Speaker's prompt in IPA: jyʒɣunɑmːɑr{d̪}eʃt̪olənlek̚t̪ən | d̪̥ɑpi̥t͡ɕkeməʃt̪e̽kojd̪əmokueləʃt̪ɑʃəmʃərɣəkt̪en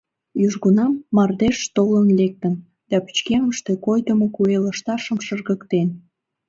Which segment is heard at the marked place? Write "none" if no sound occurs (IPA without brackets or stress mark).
d̪